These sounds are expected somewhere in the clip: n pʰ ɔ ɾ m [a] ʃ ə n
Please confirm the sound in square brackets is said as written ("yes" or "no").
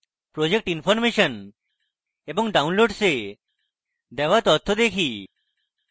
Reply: no